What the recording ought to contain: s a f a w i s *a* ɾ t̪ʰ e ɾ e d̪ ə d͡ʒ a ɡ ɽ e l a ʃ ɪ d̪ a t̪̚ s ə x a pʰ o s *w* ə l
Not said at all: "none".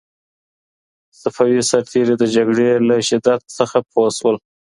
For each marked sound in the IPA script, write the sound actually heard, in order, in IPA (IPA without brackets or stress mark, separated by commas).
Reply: a, w